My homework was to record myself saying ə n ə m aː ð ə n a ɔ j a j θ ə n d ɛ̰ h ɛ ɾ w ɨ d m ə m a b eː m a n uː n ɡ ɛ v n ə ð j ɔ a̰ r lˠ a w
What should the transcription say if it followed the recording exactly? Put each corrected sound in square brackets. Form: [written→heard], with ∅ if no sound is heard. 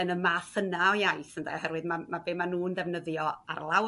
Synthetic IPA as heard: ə n ə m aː [ð→θ] ə n a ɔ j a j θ ə n d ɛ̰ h ɛ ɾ w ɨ d m [ə→a] m a b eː m a n uː n [ɡ→d] ɛ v n ə ð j ɔ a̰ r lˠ a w